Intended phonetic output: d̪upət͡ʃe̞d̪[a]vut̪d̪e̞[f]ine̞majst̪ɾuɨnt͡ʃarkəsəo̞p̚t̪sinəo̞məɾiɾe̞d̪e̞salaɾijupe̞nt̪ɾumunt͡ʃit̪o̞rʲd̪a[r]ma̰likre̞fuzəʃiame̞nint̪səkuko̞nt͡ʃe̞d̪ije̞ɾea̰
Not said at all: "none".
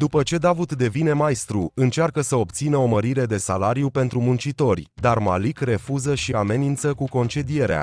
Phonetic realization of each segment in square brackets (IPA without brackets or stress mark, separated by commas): a, v, r